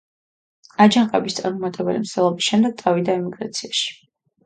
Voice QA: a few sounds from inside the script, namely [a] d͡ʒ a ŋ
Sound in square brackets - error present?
no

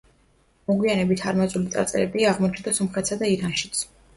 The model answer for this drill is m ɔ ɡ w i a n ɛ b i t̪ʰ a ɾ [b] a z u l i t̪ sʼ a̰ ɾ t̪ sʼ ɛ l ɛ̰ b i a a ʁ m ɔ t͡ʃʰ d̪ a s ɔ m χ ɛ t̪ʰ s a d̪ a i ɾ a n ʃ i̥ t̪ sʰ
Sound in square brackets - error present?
yes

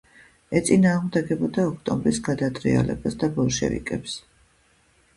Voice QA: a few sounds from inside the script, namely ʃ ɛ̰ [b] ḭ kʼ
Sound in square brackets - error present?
yes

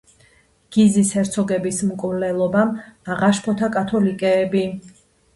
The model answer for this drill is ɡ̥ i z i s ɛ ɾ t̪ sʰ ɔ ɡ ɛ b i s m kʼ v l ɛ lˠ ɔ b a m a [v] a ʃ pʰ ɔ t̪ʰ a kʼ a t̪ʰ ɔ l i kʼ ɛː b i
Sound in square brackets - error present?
yes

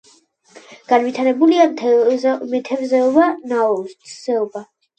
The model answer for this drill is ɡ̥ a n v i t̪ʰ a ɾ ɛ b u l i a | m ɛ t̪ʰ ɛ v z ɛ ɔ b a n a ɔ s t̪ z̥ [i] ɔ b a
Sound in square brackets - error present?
yes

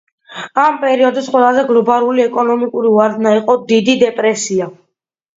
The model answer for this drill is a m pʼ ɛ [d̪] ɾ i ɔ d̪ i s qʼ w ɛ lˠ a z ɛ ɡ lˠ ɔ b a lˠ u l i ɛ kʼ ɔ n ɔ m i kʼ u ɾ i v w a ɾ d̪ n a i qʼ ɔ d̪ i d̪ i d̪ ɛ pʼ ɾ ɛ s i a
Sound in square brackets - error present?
yes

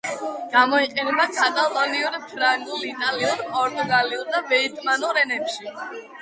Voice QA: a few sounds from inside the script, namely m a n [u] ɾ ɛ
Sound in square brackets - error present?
no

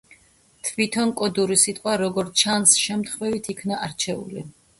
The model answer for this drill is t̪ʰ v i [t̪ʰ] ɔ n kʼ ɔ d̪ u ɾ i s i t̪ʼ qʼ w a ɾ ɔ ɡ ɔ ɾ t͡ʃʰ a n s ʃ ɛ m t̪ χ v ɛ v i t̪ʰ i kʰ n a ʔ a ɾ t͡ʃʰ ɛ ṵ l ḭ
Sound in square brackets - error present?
no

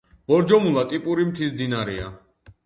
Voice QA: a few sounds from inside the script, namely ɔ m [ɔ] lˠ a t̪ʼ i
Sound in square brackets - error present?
yes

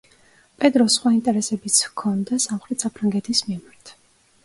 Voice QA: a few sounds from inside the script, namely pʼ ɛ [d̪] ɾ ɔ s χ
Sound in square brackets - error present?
no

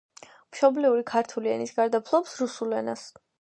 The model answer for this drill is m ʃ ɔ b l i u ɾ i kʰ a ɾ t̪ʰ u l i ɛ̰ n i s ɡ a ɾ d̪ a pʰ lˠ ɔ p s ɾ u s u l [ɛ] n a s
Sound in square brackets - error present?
no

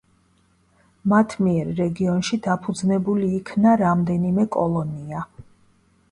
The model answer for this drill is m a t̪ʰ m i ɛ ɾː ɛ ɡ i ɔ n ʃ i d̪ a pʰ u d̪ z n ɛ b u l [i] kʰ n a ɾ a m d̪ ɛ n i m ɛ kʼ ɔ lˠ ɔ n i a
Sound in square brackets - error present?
yes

